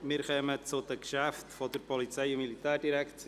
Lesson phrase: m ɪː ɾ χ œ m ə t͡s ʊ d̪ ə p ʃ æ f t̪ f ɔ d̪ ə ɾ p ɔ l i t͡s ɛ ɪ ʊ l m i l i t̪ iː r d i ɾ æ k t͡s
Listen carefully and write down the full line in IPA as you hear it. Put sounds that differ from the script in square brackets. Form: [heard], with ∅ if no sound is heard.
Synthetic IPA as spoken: m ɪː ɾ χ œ m ə t͡s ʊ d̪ ə [k] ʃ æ f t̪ f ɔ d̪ ə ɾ p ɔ l i t͡s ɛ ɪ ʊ [∅] m i l i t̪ [æː] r d i ɾ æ k t͡s